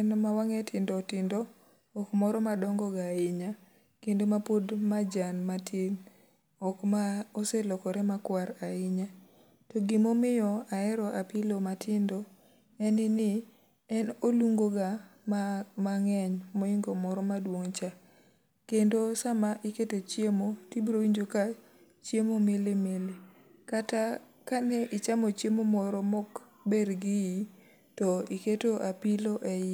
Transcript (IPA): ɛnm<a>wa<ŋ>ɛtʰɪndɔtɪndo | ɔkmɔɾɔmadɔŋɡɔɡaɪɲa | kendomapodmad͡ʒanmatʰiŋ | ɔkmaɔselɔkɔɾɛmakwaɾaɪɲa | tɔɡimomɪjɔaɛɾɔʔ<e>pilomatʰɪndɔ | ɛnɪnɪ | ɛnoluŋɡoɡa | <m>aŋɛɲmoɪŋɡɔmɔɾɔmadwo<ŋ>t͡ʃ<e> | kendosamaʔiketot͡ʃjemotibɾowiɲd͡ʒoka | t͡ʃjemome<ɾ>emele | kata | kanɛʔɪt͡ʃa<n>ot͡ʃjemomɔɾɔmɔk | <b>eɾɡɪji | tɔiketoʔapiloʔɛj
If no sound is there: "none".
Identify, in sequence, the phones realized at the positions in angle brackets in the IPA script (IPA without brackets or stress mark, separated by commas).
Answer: a, ŋ, a, m, ŋ, a, l, m, b